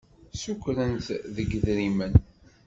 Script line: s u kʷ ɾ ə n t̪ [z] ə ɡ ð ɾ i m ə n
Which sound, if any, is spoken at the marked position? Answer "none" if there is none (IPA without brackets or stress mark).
ð